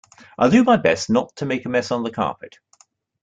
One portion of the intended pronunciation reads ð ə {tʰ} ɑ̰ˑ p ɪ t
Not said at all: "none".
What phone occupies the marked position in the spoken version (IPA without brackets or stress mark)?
kʰ